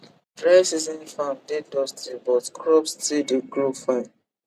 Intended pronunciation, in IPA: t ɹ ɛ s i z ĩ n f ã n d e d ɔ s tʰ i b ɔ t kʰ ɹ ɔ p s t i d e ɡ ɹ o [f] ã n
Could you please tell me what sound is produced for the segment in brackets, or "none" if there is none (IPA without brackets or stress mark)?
f